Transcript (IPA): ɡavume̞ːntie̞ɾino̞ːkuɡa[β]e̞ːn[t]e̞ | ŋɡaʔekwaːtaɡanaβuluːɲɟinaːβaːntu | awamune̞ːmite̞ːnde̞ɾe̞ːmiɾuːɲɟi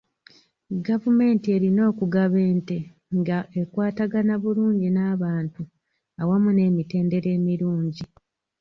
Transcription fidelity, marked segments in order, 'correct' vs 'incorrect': correct, correct

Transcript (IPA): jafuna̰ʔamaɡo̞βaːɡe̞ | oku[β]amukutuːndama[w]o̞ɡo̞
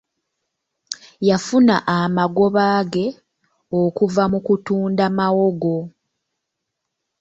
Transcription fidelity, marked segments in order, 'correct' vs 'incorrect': incorrect, correct

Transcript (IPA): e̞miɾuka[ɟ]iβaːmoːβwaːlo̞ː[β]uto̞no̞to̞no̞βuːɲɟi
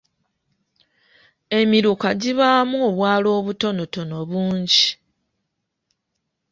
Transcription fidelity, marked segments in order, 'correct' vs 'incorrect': correct, correct

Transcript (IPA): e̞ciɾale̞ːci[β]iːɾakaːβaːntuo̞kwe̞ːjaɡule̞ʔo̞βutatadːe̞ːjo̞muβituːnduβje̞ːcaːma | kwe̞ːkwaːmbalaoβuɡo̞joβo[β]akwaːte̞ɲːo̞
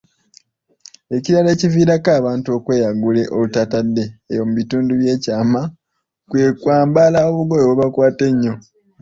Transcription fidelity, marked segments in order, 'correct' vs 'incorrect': incorrect, correct

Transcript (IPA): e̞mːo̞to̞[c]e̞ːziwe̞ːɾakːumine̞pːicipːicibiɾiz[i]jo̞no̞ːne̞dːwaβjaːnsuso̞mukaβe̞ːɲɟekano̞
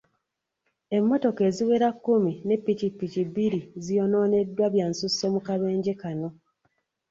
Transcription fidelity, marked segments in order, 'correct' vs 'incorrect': incorrect, correct

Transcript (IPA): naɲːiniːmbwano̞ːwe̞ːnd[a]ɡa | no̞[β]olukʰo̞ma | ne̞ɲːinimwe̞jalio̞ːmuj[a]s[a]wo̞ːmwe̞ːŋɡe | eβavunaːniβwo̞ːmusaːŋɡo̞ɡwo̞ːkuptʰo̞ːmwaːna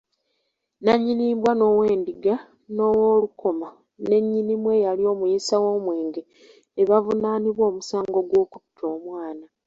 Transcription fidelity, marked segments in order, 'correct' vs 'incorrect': incorrect, incorrect, incorrect, correct

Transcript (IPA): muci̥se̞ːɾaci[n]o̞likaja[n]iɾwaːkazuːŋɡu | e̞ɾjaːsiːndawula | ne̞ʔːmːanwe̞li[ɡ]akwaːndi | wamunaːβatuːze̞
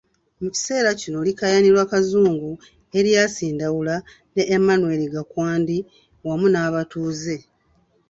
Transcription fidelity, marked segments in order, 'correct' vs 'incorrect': correct, correct, correct

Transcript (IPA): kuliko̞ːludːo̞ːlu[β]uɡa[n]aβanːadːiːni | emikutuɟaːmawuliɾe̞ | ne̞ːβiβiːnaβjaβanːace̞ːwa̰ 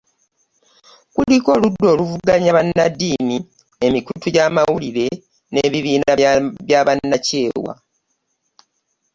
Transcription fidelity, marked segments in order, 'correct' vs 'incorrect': incorrect, incorrect

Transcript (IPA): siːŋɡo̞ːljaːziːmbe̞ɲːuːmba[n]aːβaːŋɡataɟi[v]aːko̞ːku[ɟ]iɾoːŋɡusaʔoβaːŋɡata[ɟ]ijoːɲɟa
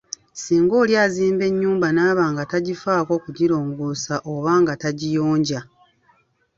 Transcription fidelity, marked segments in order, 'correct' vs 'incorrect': correct, incorrect, correct, correct

